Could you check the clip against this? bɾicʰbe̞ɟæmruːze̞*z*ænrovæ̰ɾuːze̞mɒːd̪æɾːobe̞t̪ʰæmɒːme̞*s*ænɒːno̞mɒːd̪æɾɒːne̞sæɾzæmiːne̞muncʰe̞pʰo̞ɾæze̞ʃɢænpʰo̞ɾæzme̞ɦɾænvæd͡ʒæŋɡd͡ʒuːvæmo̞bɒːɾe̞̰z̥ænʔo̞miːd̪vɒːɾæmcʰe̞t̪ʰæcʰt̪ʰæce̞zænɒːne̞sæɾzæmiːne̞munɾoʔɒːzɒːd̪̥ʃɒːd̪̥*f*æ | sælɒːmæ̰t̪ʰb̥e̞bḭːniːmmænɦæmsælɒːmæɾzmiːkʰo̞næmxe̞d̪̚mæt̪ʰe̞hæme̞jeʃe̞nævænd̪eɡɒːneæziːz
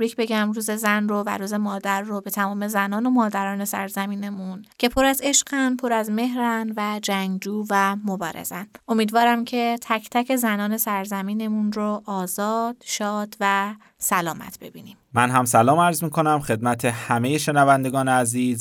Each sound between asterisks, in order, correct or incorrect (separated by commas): correct, incorrect, incorrect